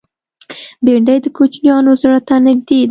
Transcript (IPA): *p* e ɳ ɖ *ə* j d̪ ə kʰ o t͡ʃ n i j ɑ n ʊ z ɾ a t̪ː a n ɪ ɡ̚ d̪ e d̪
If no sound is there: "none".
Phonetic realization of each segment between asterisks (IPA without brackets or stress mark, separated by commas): b, a